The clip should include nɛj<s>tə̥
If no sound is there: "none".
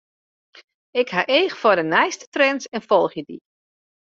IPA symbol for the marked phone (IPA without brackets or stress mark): s